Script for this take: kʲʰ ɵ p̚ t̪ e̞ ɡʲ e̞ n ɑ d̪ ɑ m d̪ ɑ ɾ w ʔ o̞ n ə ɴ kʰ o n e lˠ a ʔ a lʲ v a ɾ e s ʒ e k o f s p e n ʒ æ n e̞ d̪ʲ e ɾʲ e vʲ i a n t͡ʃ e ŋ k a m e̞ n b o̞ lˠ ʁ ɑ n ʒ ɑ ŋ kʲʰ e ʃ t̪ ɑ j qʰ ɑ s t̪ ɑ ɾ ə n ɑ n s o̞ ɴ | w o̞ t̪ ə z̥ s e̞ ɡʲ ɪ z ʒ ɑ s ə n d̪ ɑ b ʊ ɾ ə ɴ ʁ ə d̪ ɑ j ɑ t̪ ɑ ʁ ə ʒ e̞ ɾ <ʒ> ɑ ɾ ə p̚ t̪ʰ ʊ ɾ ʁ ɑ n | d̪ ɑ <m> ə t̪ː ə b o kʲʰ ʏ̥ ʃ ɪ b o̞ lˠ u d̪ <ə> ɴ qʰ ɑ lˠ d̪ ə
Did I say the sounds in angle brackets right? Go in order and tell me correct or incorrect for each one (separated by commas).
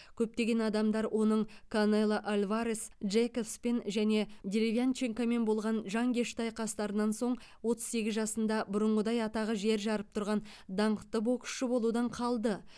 correct, incorrect, incorrect